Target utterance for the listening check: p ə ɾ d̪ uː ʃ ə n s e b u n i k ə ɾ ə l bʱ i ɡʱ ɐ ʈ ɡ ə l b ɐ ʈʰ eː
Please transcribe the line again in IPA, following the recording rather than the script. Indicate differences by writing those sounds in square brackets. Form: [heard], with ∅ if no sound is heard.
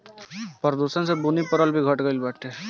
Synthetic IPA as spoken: p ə ɾ d̪ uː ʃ ə n s e b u n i [p] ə ɾ ə l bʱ i ɡʱ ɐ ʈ ɡ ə l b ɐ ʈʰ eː